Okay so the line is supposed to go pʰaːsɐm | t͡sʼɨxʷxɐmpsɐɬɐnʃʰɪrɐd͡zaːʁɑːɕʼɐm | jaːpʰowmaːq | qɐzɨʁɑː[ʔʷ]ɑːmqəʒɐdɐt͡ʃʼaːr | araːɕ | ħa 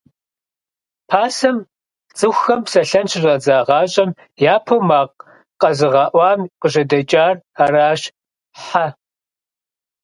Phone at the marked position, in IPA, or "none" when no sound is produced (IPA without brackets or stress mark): ʔʷ